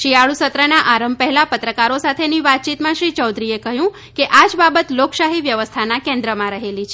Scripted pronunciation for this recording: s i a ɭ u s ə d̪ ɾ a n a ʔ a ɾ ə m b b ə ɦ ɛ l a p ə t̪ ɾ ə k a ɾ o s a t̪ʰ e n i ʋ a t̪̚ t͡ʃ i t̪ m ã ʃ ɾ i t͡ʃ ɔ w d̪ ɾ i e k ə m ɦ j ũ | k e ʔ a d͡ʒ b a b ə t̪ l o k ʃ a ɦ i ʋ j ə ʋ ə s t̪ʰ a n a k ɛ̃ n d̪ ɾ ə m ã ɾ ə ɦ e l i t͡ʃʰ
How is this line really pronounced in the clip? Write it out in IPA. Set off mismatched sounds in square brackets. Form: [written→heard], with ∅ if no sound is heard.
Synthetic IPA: [s→ʃ] i a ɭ u s ə [d̪→t̪] ɾ [a→ə] n a ʔ a ɾ ə m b [b→p] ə ɦ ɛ l a p ə t̪ ɾ ə k a ɾ o s a t̪ʰ e n i ʋ a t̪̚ t͡ʃ i t̪ m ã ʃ ɾ i t͡ʃ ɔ w d̪ ɾ i e k ə [m→∅] ɦ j ũ | k e ʔ a d͡ʒ b a b ə t̪ l o k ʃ a ɦ i ʋ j ə ʋ ə s t̪ʰ a n a k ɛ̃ n d̪ ɾ ə m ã ɾ ə ɦ e l i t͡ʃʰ